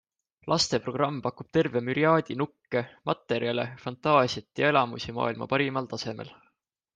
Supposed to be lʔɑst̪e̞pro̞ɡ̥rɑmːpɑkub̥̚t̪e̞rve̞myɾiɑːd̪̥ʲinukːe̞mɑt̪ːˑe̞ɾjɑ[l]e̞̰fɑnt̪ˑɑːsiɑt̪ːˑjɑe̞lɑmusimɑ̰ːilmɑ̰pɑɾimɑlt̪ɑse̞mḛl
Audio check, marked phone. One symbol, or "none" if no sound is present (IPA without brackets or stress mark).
l